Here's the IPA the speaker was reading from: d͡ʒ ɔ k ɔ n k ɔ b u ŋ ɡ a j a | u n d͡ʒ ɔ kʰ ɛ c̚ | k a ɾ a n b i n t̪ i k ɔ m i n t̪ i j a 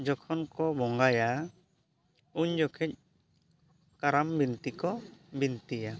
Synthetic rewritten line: d͡ʒ ɔ kʰ ɔ n k ɔ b ɔ ŋ ɡ a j a | u ɲ d͡ʒ ɔ kʰ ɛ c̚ | k a ɾ a m b i n t̪ i k ɔ b i n t̪ i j a